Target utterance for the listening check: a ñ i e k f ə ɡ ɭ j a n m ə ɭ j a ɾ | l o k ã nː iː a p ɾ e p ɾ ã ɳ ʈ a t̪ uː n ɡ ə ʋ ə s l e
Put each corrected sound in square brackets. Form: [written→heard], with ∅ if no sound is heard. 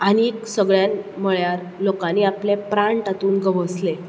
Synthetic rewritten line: a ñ i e k [f→s] ə ɡ ɭ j a n m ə ɭ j a ɾ | l o k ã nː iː a p [ɾ→l] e p ɾ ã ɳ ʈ a t̪ uː n ɡ ə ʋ ə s l e